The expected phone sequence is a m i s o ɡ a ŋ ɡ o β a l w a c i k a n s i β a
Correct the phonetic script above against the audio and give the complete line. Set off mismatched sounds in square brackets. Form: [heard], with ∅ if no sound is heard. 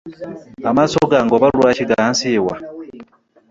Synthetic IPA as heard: a m [a] s o ɡ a ŋ ɡ o β a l w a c i [ɡ] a n s i [w] a